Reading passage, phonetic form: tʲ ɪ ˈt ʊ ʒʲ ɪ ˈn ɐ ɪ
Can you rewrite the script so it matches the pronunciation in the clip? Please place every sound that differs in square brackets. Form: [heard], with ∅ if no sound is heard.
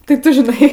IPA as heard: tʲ ɪ ˈt ʊ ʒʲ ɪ ˈn ɐ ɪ